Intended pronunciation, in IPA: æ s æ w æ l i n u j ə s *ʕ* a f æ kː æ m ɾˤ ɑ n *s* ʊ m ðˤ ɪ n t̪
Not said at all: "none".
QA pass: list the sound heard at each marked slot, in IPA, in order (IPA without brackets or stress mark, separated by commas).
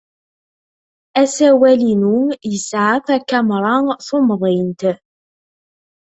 ʕ, θ